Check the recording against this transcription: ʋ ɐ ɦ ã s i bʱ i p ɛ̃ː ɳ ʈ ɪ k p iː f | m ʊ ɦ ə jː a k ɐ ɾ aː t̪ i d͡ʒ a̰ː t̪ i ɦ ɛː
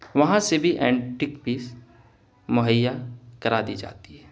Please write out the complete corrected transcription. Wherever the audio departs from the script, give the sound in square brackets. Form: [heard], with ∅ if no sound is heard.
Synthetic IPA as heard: ʋ ɐ ɦ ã s [e] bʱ i [ʔ] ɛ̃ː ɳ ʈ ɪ k p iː [s] | m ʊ ɦ ə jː a k ɐ ɾ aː [d̪] i d͡ʒ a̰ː t̪ i ɦ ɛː

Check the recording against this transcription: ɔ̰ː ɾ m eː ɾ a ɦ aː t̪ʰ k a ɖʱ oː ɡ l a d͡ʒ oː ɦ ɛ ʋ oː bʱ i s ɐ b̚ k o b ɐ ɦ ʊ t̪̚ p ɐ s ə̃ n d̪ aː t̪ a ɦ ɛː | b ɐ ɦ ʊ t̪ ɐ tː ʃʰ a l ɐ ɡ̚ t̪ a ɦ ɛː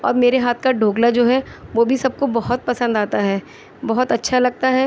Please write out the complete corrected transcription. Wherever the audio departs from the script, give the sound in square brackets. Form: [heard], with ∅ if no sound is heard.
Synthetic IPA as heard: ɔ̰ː ɾ m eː ɾ [e] ɦ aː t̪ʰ k a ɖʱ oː ɡ l a d͡ʒ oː ɦ ɛ ʋ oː bʱ i s ɐ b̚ k o b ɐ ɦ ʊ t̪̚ p ɐ s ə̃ n d̪ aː t̪ a ɦ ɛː | b ɐ ɦ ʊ t̪ ɐ tː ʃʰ a l ɐ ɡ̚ t̪ a ɦ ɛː

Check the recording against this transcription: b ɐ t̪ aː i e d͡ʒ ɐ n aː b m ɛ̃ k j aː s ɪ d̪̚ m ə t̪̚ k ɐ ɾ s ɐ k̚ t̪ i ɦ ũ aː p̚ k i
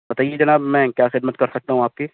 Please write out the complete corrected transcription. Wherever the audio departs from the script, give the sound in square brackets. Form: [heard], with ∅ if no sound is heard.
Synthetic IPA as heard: b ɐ t̪ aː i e d͡ʒ ɐ n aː b m ɛ̃ k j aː [x] ɪ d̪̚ m ə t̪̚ k ɐ ɾ s ɐ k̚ t̪ [a] ɦ ũ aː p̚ k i

